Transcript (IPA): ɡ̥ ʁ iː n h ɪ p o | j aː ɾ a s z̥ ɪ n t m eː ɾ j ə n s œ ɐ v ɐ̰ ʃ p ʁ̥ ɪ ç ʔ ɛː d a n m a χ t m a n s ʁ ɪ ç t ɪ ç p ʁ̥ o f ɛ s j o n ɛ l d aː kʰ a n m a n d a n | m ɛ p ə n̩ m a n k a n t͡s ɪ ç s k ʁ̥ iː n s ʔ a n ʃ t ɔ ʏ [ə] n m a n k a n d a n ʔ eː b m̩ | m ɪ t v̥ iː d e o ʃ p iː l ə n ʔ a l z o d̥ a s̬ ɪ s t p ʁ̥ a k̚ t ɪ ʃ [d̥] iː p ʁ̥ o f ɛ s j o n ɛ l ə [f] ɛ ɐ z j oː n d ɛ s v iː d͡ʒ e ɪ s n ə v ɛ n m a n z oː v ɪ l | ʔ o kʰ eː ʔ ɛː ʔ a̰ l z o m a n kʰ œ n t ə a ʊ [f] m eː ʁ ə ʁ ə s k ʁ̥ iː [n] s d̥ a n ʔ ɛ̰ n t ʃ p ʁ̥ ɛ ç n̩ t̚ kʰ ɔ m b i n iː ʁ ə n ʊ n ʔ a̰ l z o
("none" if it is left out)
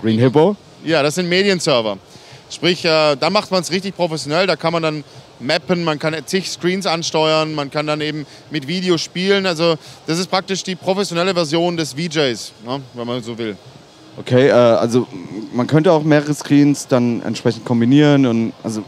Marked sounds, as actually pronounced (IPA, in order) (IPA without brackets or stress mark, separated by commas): ɐ, d̥, v, x, n